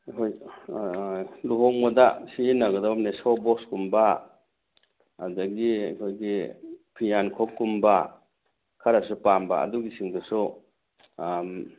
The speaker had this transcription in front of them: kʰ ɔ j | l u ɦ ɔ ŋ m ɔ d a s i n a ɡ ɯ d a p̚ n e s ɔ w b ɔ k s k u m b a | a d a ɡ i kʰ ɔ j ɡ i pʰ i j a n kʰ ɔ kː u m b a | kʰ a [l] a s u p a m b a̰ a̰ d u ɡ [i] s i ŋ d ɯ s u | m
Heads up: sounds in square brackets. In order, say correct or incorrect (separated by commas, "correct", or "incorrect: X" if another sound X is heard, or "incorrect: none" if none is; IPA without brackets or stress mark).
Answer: incorrect: ɾ, correct